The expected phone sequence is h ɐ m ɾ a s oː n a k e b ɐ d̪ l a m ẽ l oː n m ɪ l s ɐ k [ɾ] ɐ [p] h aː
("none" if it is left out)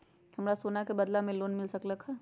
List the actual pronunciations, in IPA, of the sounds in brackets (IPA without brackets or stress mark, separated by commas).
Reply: l, k